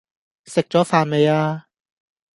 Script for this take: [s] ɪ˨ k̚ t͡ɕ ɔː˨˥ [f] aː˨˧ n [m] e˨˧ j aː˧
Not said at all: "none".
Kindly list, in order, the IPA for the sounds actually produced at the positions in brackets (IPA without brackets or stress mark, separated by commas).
s, f, m